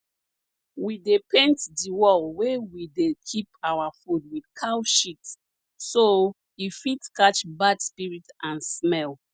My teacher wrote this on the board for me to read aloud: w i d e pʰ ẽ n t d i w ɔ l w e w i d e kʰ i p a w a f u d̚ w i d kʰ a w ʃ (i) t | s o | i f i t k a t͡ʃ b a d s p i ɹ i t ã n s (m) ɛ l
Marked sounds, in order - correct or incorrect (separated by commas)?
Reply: correct, correct